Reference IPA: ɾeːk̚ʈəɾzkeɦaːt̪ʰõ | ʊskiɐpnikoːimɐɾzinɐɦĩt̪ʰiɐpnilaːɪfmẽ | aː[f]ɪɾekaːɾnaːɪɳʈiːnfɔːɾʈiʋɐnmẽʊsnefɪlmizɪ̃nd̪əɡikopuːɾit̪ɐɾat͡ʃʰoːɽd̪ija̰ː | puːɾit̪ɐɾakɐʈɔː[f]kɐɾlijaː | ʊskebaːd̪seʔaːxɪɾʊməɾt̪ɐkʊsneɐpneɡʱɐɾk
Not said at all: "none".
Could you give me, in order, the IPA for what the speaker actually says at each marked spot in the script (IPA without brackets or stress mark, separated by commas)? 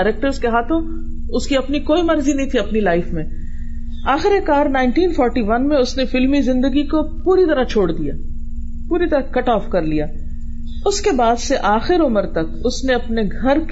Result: x, f